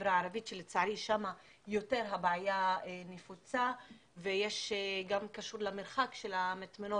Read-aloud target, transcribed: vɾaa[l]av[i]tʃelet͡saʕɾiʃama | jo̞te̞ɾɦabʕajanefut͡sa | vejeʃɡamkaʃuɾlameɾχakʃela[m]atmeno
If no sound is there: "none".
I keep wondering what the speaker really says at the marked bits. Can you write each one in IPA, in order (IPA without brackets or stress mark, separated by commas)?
ɾ, i, m